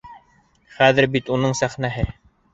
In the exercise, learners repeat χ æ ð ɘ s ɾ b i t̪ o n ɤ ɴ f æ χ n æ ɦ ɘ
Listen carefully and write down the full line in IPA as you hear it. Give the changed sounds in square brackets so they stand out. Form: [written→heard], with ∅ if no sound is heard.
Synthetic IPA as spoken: χ æ ð ɘ [s→∅] ɾ b i t̪ [o→u] n ɤ ɴ [f→s] æ χ n æ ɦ ɘ